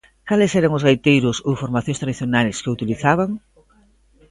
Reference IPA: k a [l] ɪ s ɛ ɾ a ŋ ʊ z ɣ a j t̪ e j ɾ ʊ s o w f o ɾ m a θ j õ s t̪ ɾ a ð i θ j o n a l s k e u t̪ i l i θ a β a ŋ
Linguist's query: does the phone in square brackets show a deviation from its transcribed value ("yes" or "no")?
no